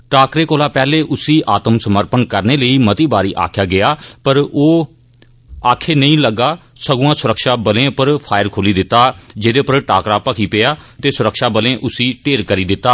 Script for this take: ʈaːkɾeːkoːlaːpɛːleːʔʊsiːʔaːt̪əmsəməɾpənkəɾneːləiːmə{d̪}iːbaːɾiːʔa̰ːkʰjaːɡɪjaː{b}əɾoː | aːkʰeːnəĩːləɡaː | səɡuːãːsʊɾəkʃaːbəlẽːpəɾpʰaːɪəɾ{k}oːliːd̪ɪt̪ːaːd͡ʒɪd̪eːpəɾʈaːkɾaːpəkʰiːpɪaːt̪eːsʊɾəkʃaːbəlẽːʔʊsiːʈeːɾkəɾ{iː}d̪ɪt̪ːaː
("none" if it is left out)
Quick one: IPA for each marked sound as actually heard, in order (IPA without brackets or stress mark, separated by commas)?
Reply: t̪, p, kʰ, iː